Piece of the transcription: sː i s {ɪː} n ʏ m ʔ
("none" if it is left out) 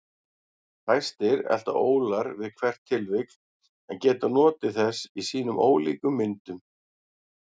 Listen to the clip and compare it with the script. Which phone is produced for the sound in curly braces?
iː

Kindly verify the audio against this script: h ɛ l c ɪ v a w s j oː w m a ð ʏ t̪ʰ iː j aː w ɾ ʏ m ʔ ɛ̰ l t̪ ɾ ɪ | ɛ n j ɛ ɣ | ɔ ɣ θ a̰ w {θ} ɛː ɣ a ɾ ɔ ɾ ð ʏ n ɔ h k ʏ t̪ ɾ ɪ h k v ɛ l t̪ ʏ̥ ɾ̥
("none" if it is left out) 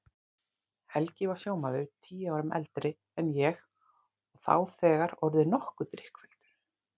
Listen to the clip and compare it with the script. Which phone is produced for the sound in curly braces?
θ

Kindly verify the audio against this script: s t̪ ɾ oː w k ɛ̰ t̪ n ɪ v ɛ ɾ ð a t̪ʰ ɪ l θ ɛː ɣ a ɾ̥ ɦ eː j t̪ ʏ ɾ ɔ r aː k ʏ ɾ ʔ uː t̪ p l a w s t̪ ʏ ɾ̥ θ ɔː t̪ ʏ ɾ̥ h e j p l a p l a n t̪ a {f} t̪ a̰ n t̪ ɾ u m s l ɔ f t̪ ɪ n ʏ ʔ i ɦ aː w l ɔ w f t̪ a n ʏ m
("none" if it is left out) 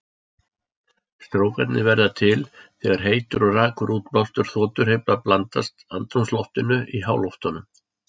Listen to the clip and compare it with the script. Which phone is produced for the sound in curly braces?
s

